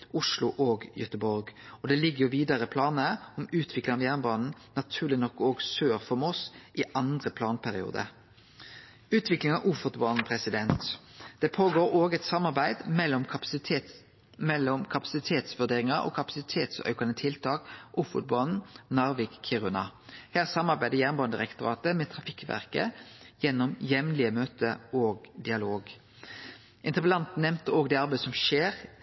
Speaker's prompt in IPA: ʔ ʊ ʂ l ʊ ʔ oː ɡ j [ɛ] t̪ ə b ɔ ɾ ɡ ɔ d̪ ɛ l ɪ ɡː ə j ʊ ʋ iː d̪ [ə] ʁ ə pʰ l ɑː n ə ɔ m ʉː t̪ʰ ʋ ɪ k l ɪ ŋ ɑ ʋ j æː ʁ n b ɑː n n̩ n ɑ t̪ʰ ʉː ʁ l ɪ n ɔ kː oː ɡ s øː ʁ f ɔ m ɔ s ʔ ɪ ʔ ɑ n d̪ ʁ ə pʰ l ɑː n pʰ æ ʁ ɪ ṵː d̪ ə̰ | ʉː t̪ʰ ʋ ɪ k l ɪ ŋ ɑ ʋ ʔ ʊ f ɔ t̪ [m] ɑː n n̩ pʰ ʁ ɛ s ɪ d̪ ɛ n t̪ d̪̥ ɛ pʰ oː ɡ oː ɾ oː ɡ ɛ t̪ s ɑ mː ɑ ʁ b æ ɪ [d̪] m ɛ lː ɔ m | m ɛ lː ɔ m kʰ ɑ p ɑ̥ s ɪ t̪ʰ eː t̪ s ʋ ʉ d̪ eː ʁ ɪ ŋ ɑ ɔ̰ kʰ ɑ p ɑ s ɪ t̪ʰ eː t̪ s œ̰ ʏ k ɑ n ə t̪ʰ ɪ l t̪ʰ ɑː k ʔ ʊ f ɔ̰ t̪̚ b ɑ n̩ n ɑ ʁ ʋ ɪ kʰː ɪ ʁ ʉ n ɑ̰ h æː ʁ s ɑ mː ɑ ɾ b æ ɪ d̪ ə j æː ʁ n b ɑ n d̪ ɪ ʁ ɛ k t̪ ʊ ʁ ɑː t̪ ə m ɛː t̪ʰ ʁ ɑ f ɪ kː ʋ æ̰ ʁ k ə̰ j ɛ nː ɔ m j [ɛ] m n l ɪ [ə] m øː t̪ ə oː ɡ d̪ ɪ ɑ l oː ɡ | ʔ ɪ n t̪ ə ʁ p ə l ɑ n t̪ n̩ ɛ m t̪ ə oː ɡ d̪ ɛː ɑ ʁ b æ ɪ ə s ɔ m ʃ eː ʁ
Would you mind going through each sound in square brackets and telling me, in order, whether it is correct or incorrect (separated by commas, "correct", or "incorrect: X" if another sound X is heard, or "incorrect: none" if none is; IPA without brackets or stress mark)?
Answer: incorrect: œ, incorrect: ɑ, incorrect: b, correct, correct, correct